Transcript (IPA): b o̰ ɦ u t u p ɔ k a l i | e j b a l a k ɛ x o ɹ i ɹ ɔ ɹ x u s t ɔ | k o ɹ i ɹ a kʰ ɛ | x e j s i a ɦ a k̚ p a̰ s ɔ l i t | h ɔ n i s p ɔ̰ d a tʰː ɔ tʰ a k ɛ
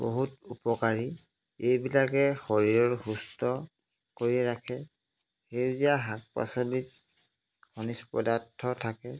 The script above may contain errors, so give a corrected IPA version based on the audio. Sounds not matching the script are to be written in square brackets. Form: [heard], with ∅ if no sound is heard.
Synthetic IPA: b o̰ ɦ u t u p ɔ k a [ɹ] i | e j b [i] l a k ɛ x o ɹ i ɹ ɔ ɹ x u s t ɔ | k o ɹ i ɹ a kʰ ɛ | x e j [z] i a ɦ a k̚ p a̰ s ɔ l i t | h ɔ n i s p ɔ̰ d a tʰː ɔ tʰ a k ɛ